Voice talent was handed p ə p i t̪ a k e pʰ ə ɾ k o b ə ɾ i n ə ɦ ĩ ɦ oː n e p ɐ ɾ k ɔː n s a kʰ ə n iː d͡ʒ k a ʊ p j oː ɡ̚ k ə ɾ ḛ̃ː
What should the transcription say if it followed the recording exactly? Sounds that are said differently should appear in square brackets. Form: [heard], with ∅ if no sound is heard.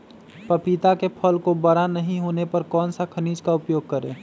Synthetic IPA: p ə p i t̪ a k e pʰ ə [l] k o b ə ɾ [a] n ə ɦ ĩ ɦ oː n e p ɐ ɾ k ɔː n s a kʰ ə n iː d͡ʒ k a ʊ p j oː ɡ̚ k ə ɾ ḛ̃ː

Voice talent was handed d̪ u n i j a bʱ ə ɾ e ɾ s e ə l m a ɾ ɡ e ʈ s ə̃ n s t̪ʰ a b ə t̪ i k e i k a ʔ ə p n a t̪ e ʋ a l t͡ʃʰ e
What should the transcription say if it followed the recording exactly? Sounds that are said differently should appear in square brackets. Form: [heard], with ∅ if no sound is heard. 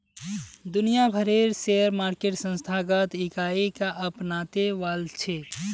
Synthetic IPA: d̪ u n i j a bʱ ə ɾ e ɾ s e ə [ɾ] m a ɾ [k] e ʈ s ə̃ n s t̪ʰ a [ɡ] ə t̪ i k [a] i k a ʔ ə p n a t̪ e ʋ a l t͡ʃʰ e

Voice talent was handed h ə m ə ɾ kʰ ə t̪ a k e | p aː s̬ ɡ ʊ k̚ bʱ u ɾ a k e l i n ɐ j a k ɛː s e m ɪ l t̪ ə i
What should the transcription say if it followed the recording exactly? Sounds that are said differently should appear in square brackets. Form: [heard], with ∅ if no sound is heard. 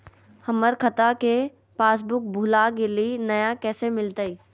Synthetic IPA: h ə m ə ɾ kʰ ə t̪ a k e | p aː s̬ [b] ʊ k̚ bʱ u [l] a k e l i n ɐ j a k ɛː s e m ɪ l t̪ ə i

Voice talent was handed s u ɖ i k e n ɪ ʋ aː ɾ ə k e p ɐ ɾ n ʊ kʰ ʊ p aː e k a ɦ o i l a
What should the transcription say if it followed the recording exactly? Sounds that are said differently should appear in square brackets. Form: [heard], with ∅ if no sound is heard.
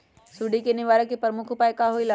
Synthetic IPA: s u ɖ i k e n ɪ ʋ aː ɾ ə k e p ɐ ɾ [m] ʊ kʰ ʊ p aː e k a ɦ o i l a

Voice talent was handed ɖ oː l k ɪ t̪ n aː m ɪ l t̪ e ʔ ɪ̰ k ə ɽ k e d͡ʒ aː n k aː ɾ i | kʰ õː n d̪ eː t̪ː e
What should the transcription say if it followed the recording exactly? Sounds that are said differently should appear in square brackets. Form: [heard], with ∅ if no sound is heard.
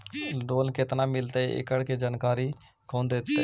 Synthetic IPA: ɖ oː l k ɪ t̪ n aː m ɪ l t̪ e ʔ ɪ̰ k ə ɽ k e d͡ʒ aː n k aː ɾ i | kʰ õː n d̪ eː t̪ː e

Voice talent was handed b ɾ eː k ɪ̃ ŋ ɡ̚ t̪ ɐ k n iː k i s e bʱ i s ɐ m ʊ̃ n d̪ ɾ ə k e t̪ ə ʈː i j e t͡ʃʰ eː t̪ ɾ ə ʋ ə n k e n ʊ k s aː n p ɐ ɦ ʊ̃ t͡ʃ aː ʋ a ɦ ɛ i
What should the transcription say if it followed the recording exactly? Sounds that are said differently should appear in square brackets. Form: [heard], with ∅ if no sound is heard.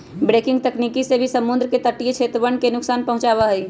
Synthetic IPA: b ɾ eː k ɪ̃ ŋ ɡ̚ t̪ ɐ k n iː k i s e bʱ i s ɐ m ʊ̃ n d̪ ɾ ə k e t̪ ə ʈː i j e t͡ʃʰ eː t̪ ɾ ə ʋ ə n k e n ʊ k s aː n p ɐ ɦ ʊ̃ t͡ʃ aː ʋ a ɦ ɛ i

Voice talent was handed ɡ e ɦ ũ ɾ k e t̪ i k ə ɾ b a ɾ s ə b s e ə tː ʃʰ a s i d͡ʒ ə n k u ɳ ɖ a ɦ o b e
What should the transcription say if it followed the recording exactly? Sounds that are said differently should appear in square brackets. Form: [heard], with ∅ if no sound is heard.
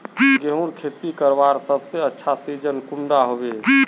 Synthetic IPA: ɡ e ɦ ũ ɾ [kʰ] e t̪ i k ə ɾ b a ɾ s ə b s e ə tː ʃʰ a s i d͡ʒ ə n k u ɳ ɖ a ɦ o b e

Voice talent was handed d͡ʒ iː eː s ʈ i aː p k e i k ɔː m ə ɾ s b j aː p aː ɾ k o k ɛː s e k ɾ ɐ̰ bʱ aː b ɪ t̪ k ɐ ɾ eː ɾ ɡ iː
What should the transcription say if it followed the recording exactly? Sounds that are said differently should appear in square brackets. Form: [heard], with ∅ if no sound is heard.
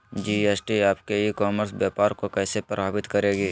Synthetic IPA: d͡ʒ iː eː s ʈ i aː p k e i k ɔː m ə ɾ s b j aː p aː ɾ k o k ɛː s e [p] ɾ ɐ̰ bʱ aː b ɪ t̪ k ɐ ɾ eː [∅] ɡ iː

